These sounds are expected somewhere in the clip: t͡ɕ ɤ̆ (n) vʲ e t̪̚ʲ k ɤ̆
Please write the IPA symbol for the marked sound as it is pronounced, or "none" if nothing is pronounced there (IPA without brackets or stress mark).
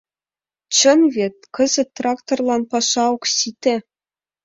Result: n